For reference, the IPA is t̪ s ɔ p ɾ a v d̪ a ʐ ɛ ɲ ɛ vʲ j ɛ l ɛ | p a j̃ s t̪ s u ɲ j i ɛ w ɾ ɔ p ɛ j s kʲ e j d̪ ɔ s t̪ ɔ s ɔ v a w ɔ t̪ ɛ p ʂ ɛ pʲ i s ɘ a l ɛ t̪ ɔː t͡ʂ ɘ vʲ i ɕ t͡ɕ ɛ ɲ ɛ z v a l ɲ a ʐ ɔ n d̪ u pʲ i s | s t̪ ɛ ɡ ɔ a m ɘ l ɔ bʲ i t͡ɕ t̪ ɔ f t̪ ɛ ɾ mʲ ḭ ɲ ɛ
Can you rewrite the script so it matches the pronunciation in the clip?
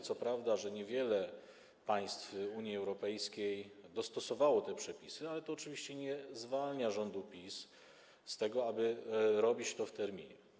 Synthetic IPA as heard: t̪ s ɔ p ɾ a v d̪ a ʐ ɛ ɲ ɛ vʲ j ɛ l ɛ | p a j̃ s t̪ f u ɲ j i ɛ w ɾ ɔ p ɛ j s kʲ e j d̪ ɔ s t̪ ɔ s ɔ v a w ɔ t̪ ɛ p ʂ ɛ pʲ i s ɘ a l ɛ t̪ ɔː t͡ʂ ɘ vʲ i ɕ t͡ɕ ɛ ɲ ɛ z v a l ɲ a ʐ ɔ n d̪ u pʲ i s | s t̪ ɛ ɡ ɔ a b ɘ ɾ ɔ bʲ i t͡ɕ t̪ ɔ f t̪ ɛ ɾ mʲ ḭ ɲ ɛ